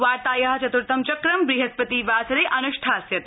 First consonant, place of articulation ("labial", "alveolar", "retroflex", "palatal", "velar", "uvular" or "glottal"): labial